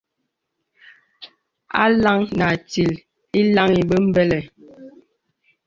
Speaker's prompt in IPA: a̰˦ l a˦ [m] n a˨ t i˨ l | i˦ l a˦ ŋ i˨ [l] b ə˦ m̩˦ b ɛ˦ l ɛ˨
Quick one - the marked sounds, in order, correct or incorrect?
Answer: incorrect: ŋ, incorrect: none

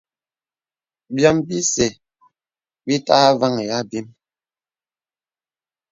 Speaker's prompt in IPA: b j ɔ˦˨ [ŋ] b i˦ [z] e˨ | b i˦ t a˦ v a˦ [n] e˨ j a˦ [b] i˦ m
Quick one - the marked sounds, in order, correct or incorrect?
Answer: incorrect: m, incorrect: s, incorrect: ŋ, correct

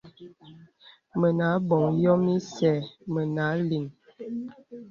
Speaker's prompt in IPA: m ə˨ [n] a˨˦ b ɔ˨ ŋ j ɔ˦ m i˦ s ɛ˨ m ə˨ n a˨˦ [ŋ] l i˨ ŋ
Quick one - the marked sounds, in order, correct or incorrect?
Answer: correct, incorrect: none

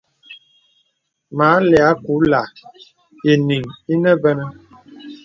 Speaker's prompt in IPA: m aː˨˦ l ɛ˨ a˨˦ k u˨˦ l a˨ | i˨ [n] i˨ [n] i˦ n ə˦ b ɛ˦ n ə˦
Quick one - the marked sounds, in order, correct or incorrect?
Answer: correct, incorrect: ŋ

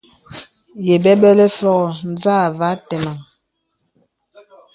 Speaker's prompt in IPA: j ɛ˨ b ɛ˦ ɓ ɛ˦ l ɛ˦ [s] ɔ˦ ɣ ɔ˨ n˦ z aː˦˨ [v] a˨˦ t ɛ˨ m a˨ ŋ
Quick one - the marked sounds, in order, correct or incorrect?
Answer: incorrect: f, correct

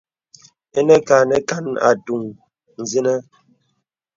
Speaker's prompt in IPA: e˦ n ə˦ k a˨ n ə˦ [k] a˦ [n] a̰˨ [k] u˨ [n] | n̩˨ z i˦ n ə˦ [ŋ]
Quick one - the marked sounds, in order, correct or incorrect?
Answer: correct, correct, incorrect: t, incorrect: ŋ, incorrect: none

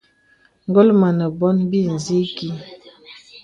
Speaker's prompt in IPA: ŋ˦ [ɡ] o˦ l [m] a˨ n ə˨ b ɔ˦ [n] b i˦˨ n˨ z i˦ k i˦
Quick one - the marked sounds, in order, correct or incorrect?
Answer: correct, correct, correct

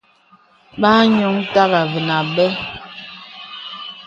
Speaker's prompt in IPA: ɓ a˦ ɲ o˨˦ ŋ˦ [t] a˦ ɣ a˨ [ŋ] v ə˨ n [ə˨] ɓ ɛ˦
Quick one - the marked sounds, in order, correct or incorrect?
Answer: correct, incorrect: none, incorrect: a˨

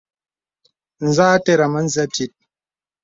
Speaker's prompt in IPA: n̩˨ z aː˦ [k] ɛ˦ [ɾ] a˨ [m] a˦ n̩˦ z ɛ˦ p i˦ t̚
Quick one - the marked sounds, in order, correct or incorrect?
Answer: incorrect: t, correct, correct

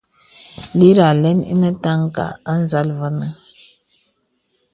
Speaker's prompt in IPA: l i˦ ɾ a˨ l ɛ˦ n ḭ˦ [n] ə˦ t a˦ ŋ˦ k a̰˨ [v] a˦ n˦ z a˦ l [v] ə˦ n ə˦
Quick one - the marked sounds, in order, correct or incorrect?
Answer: correct, incorrect: none, correct

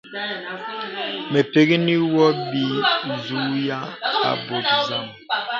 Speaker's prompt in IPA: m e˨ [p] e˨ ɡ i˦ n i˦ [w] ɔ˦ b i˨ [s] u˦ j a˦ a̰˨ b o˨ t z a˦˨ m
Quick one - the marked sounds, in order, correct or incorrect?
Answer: correct, correct, incorrect: z

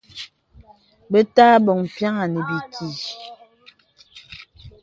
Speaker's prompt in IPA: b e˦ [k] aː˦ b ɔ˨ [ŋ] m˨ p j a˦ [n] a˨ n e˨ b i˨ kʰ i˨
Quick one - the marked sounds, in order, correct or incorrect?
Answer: incorrect: t, correct, incorrect: ŋ

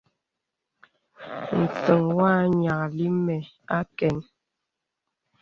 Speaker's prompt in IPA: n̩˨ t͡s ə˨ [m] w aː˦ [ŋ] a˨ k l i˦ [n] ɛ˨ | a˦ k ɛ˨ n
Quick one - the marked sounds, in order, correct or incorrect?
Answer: incorrect: ŋ, incorrect: ɲ, incorrect: m

